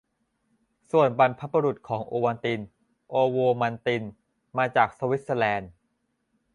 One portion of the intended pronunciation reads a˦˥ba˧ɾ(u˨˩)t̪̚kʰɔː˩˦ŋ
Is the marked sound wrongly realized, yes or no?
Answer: no